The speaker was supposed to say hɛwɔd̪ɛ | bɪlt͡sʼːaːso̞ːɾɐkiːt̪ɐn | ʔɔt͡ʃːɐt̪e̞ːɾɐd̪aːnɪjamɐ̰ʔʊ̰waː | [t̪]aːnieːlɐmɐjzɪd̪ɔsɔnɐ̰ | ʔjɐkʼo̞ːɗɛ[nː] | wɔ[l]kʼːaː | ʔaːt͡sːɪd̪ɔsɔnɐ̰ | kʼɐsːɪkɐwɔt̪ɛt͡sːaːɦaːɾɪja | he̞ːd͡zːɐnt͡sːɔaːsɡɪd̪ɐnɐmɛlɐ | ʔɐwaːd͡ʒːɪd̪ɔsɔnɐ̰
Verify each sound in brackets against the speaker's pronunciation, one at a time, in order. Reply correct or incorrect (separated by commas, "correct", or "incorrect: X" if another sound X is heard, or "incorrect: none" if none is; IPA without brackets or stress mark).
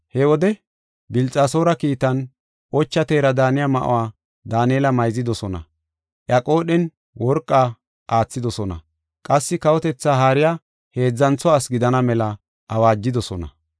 incorrect: d̪, incorrect: n, incorrect: ɾ